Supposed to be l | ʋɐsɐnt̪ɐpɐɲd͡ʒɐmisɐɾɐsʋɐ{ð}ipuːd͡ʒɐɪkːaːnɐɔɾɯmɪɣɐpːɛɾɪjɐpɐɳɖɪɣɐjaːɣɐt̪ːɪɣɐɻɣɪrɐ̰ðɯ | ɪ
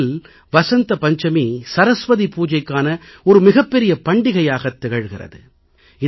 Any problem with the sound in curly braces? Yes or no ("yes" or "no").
no